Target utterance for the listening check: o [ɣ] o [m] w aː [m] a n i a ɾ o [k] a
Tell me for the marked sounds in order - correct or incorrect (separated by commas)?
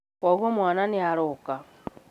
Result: correct, correct, incorrect, correct